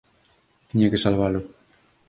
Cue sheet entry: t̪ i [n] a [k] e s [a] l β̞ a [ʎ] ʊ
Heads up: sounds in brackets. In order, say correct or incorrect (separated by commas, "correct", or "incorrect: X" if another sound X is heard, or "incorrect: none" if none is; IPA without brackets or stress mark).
incorrect: ɲ, correct, correct, incorrect: l